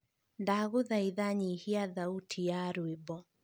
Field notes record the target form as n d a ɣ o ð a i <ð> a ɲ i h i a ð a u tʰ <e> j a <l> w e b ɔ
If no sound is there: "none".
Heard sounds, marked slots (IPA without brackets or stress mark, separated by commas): ð, i, ɾ